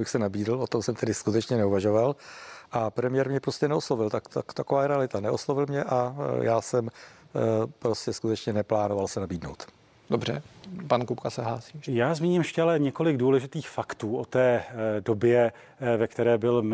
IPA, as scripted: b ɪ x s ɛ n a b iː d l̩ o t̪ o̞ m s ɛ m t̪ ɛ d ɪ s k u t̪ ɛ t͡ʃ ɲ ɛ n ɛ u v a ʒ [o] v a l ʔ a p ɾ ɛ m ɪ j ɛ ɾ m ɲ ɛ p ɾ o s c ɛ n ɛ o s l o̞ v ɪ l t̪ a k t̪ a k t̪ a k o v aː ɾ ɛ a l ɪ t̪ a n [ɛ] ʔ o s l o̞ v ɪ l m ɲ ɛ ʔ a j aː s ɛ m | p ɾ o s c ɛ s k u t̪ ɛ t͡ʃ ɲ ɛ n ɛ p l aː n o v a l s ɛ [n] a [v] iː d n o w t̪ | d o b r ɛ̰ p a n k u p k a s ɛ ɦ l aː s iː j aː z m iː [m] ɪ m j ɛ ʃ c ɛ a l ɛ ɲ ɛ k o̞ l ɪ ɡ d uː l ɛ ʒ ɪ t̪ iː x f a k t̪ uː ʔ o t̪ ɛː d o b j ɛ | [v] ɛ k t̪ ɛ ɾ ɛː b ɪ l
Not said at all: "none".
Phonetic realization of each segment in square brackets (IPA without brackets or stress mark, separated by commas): o, ɛ, n, b, ɲ, v